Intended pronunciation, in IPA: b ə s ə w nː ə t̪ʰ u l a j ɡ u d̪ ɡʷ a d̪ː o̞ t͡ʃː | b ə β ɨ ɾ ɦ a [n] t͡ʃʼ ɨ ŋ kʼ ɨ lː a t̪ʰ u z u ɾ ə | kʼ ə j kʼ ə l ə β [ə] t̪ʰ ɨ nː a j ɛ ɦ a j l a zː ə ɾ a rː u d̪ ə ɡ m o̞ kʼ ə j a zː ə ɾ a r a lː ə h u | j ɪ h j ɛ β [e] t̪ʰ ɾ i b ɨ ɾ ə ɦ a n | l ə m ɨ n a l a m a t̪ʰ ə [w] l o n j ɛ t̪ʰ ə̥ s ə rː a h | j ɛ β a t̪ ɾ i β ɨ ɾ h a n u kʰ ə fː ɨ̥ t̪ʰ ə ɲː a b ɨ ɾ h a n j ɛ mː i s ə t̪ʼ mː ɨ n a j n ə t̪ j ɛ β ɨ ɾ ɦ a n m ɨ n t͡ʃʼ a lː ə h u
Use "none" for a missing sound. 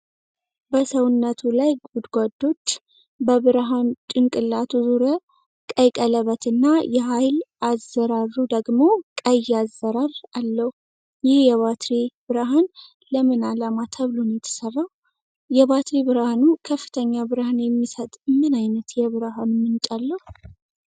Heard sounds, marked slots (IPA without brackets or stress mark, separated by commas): n, ə, a, β